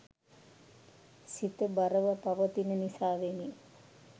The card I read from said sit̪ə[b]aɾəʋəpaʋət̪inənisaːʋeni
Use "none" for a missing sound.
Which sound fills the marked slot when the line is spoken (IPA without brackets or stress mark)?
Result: b